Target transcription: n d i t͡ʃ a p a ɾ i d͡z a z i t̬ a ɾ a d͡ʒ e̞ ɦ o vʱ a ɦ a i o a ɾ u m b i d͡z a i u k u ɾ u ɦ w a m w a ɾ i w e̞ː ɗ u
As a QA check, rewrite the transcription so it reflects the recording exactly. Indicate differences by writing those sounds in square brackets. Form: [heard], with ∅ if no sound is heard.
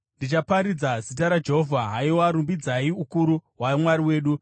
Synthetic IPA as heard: n d i t͡ʃ a p a ɾ i d͡z a z i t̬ a ɾ a d͡ʒ e̞ ɦ o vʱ a ɦ a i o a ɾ u m b i d͡z a i u k u ɾ u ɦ w a m w a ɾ i w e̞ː ɗ u